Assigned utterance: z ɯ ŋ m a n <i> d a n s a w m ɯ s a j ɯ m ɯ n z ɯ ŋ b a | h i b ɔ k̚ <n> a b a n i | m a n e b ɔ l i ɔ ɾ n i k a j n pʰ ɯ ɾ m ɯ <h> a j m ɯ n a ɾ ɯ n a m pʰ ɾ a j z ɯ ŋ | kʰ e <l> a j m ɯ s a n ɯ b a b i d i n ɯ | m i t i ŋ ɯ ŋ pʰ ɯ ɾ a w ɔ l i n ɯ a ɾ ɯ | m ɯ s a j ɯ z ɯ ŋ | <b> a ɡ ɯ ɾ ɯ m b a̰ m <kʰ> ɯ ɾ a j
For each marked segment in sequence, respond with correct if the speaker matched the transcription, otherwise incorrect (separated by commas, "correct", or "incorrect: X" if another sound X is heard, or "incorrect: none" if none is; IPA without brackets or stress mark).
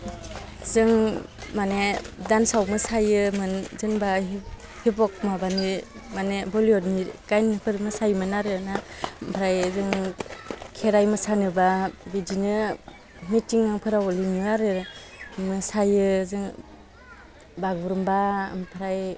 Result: incorrect: e, incorrect: m, incorrect: s, incorrect: ɾ, correct, incorrect: pʰ